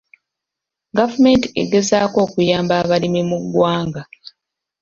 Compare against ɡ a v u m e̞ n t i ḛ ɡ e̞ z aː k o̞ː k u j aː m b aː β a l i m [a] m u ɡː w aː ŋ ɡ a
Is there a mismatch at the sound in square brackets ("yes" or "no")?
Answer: yes